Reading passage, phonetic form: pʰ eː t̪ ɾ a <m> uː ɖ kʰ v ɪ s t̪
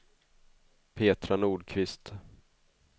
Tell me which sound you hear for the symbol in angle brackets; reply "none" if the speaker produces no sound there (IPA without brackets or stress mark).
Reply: n